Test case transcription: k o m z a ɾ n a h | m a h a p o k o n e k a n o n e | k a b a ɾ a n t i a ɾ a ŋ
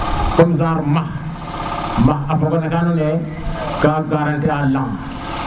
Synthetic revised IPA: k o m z a ɾ m a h | m a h a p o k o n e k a n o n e | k a ɡ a ɾ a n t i a l a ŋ